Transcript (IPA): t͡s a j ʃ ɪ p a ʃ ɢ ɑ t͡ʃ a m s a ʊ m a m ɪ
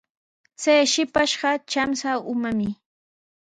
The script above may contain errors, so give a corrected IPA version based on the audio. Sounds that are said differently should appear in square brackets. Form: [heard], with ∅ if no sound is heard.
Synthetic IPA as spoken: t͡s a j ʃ ɪ p a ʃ ɢ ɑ t͡ʃ a m s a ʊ m a m ɪ